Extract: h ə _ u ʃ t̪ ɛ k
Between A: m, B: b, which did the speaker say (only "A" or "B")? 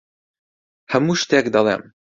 A